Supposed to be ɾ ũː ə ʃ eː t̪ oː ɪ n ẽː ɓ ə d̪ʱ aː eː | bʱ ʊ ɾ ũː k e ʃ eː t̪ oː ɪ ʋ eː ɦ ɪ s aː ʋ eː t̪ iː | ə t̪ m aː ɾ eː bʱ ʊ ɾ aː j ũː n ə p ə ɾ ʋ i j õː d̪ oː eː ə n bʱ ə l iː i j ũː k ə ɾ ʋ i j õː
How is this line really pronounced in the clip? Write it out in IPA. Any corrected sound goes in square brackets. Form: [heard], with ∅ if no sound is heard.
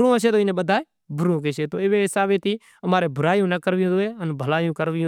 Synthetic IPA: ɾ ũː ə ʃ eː t̪ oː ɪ n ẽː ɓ ə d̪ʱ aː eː | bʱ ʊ ɾ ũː k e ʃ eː t̪ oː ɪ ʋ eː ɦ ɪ s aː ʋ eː t̪ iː | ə [∅] m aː ɾ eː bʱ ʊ ɾ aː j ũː n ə [k] ə ɾ ʋ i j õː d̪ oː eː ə n bʱ ə l [aː] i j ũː k ə ɾ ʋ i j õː